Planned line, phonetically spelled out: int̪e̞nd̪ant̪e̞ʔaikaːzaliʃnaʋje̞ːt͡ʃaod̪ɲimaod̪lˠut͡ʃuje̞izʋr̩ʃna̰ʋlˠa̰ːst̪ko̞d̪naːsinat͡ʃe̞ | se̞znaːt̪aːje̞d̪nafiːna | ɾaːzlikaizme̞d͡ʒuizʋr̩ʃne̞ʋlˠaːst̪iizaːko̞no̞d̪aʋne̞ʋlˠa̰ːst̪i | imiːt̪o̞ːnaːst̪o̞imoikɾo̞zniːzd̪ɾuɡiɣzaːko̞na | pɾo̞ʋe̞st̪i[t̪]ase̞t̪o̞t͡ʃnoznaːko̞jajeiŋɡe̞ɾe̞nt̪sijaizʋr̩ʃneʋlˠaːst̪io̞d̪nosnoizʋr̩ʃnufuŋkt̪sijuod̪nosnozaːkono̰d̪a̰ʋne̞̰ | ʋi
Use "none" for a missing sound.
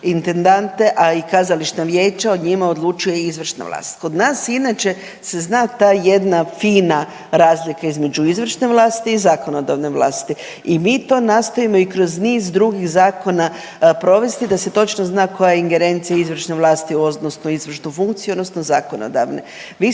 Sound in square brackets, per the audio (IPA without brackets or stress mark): d̪